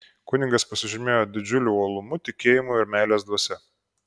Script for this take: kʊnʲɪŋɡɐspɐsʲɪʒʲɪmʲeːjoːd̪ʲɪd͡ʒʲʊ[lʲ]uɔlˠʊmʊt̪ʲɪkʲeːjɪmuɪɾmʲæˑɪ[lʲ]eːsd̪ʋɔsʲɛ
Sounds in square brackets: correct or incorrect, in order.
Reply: correct, correct

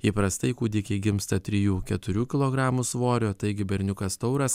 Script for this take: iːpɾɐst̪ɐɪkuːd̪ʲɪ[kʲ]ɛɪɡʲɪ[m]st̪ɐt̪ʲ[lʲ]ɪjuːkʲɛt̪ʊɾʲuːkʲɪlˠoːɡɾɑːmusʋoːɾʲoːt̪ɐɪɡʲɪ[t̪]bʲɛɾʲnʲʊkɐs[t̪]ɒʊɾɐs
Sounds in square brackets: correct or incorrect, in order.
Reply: correct, correct, incorrect, incorrect, correct

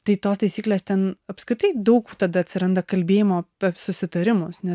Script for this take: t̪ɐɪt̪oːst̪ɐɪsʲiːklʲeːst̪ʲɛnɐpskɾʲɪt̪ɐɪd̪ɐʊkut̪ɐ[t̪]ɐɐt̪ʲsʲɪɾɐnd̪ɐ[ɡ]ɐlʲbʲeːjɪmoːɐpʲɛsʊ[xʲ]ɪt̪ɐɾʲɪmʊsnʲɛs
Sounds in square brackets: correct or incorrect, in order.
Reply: incorrect, incorrect, incorrect

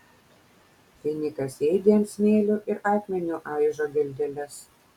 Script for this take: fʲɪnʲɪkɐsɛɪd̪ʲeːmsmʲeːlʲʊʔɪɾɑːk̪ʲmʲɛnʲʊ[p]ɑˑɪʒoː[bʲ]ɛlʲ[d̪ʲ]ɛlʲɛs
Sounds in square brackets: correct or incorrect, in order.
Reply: incorrect, incorrect, correct

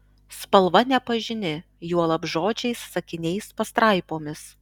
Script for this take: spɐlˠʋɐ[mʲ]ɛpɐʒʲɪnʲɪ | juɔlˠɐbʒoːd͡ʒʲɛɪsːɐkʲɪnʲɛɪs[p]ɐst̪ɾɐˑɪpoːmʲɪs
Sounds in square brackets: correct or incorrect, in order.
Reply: incorrect, correct

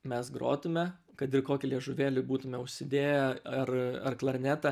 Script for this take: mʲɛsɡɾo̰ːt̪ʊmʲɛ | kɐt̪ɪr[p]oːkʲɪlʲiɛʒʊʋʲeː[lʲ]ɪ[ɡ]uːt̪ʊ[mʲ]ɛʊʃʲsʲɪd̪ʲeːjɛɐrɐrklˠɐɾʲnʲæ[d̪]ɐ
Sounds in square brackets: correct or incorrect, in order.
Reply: incorrect, correct, incorrect, correct, incorrect

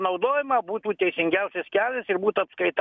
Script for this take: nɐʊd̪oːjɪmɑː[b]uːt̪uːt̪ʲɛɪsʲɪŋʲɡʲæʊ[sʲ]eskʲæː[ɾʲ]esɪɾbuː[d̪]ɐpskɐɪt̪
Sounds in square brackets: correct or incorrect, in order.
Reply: correct, correct, incorrect, incorrect

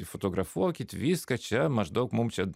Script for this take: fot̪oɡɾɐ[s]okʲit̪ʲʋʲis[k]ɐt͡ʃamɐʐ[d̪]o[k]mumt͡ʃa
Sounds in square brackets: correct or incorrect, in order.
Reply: incorrect, correct, correct, correct

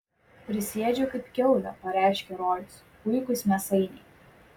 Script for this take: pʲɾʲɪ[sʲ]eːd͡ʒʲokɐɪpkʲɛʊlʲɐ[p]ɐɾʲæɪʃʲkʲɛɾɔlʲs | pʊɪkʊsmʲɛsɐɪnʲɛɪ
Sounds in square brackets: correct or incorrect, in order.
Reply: correct, correct

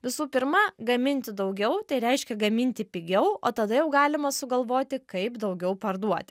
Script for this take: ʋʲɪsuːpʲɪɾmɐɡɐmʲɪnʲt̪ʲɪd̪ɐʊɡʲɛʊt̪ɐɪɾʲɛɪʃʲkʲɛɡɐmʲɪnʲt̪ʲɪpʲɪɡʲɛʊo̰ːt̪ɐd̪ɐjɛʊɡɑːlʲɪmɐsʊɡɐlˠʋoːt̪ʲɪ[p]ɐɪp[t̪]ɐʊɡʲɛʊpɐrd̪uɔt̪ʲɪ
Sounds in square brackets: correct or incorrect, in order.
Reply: incorrect, incorrect

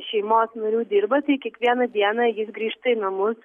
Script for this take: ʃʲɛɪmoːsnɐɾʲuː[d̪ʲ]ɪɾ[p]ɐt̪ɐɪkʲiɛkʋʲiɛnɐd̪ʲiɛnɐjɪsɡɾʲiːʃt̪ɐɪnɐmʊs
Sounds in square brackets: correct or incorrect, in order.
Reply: correct, incorrect

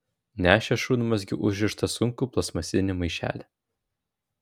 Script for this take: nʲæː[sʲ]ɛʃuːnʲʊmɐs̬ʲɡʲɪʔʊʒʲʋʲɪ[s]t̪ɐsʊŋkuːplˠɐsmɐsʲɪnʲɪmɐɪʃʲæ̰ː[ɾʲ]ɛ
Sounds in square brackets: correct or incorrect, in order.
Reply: incorrect, incorrect, incorrect

